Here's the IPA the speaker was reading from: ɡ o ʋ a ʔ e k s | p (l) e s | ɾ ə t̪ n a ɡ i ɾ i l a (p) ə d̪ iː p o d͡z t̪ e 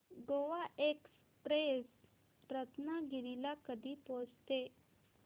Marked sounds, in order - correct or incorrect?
incorrect: ɾ, incorrect: k

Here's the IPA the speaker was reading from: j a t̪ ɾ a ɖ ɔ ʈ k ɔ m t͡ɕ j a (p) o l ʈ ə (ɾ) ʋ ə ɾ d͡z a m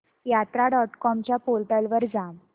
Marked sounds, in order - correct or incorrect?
correct, incorrect: l

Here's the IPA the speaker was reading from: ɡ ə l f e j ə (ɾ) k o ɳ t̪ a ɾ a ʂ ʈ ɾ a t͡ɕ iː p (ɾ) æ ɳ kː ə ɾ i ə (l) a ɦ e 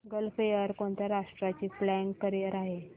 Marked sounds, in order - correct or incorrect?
correct, incorrect: l, incorrect: ɾ

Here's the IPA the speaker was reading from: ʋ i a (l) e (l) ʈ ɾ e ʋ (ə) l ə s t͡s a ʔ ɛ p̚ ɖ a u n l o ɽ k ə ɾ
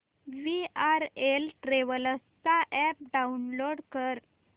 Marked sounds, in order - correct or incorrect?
incorrect: ɾ, correct, correct

